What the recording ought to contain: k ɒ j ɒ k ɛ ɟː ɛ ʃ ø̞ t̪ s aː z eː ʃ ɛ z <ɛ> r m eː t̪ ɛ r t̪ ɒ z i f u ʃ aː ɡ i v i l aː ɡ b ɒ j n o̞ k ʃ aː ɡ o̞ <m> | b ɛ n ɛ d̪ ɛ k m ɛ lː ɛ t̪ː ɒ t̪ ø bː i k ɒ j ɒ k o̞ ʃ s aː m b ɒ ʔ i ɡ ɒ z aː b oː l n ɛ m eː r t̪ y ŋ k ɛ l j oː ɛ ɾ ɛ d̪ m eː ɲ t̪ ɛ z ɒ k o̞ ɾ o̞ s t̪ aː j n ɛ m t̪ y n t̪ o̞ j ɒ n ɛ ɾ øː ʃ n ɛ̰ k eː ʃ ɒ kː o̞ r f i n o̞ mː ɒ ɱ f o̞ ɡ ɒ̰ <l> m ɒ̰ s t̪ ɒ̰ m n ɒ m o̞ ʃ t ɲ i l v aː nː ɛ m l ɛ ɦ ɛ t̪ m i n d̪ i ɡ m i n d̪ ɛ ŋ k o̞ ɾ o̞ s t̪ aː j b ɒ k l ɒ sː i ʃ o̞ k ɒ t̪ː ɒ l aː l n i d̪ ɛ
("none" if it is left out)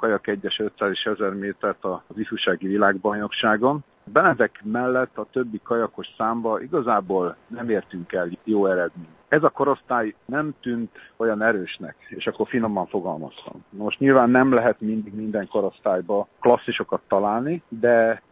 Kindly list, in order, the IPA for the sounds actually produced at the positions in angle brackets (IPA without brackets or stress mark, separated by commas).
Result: ɛ, n, l